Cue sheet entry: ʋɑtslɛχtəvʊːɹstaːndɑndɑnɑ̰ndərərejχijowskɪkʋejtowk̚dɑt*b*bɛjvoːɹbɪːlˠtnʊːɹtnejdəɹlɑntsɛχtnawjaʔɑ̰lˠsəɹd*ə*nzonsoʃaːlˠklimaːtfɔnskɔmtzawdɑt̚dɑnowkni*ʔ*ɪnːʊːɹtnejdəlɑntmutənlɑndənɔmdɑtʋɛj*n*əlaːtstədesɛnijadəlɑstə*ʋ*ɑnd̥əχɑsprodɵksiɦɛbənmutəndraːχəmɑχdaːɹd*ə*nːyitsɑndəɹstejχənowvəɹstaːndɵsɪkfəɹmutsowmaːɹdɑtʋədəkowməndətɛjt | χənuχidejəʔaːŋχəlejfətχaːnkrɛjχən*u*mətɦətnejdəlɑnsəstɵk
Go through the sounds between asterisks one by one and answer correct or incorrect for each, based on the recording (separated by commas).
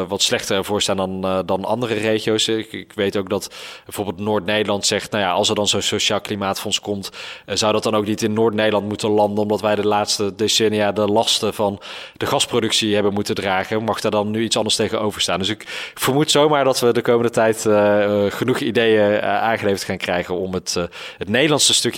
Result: correct, incorrect, incorrect, incorrect, incorrect, incorrect, incorrect